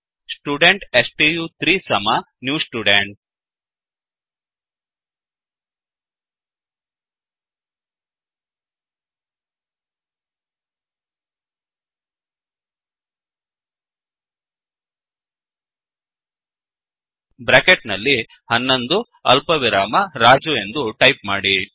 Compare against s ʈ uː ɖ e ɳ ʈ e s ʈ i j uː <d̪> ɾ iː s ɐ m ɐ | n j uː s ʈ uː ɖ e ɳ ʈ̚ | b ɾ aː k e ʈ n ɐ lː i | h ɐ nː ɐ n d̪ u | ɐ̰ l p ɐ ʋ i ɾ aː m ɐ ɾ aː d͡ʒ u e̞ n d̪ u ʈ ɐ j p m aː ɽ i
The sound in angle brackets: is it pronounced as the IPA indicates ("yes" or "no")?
no